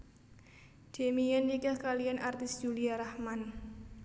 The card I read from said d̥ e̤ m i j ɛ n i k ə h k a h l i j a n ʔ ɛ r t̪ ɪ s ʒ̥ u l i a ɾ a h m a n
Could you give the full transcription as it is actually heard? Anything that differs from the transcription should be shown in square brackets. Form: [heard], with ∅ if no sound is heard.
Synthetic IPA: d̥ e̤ m i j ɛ n i k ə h k a [∅] l i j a n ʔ [a] r t̪ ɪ s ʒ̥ u l i a ɾ a h m a n